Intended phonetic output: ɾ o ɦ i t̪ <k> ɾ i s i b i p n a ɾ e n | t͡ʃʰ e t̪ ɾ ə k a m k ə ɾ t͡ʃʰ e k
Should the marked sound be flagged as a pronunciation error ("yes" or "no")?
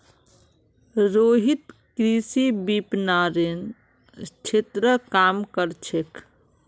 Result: no